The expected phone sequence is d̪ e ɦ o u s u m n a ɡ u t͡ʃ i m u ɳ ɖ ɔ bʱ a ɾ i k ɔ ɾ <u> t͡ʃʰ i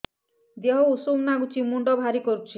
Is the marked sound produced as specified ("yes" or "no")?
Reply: yes